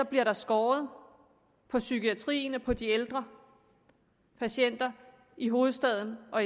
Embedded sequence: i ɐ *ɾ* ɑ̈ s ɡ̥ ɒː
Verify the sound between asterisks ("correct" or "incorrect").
correct